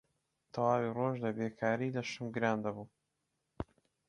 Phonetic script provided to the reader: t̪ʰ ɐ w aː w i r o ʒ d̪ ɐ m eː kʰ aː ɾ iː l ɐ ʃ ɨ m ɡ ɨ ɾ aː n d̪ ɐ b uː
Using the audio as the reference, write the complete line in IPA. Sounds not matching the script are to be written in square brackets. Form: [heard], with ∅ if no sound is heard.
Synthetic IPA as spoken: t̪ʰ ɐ w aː w i r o ʒ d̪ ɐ [b] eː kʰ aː ɾ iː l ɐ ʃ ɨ m ɡ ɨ ɾ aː n d̪ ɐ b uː